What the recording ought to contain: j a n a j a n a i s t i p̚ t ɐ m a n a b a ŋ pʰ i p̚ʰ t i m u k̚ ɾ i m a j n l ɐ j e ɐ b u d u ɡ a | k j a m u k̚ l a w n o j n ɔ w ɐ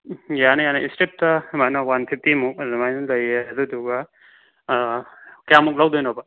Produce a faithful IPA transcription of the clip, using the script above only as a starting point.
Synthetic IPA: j a n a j a n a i s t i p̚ t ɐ m a n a w a n pʰ i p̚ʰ t i m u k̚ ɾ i m a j n l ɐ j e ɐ d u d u ɡ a | k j a m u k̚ l a w d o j n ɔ b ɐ